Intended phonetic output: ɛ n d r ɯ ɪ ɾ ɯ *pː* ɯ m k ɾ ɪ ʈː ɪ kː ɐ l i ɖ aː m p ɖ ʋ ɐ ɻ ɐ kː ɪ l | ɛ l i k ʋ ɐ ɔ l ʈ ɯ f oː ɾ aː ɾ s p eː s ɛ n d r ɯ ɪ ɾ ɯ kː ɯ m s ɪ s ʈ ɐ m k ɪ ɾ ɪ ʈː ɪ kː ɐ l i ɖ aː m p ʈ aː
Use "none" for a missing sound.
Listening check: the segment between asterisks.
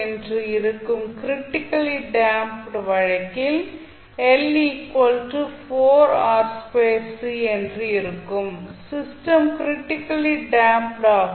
kː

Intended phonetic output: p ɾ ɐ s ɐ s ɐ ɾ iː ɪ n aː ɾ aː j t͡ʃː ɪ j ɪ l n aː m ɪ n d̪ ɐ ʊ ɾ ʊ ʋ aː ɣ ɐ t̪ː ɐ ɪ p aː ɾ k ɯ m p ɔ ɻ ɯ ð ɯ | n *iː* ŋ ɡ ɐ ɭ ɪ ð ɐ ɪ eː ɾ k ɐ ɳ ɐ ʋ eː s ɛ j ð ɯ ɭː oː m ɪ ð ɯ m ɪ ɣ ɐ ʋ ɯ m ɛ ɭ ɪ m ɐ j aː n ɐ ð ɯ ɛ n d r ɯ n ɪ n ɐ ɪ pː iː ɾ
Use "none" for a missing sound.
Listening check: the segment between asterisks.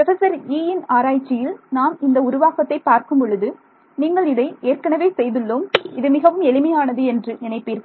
iː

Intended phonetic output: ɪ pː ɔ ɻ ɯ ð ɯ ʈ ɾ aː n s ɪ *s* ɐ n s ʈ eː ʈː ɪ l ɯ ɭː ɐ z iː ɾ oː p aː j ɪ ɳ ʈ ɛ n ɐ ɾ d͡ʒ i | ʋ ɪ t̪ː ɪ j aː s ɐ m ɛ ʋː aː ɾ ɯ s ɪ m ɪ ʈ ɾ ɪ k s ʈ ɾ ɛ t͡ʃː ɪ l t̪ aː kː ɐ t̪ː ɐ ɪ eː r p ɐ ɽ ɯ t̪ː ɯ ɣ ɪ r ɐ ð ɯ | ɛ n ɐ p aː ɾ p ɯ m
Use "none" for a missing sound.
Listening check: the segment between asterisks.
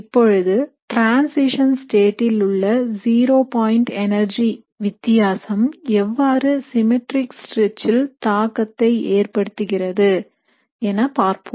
ʂ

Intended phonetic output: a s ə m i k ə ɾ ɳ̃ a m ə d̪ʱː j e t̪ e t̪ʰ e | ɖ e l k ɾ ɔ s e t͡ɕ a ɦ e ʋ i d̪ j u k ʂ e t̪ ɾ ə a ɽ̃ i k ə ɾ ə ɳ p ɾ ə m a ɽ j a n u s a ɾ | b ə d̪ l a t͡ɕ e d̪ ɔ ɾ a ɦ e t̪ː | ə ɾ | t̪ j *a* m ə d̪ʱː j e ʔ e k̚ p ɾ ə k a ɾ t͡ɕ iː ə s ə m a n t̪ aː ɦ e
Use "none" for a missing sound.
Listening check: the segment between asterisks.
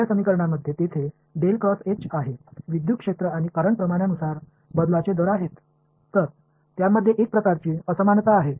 a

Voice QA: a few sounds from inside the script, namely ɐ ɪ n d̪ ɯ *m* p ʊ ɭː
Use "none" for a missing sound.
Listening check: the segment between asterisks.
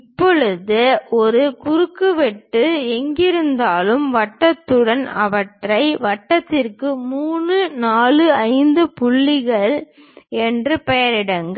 none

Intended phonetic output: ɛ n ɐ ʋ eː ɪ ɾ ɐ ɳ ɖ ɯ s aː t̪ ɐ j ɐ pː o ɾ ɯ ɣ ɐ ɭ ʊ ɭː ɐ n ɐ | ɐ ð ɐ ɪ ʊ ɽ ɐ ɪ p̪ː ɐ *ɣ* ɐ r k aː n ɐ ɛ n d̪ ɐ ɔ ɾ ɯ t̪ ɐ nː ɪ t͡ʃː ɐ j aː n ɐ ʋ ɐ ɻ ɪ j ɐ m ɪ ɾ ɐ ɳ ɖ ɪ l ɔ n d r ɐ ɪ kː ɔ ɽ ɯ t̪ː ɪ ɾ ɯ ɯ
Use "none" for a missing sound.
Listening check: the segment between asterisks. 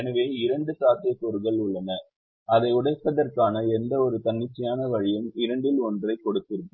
ð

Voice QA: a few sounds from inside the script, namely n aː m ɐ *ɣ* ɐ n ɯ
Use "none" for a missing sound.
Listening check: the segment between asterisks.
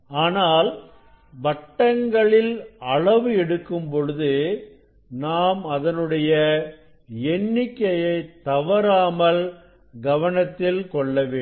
ð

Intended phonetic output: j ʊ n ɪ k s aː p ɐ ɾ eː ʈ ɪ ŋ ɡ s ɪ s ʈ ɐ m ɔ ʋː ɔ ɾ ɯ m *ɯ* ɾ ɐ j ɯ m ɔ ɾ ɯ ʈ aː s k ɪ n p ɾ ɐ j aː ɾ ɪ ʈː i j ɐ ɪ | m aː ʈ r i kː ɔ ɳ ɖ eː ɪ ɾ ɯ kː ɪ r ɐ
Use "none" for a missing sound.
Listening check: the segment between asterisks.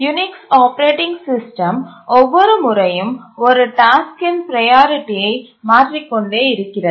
ʊ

